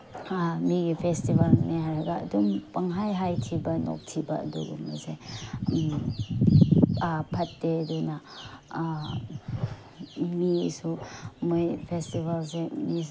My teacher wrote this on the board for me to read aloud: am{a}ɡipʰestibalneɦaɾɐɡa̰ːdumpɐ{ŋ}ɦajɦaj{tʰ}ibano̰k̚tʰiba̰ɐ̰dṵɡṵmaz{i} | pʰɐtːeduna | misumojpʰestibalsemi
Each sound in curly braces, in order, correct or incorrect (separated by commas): incorrect, correct, correct, incorrect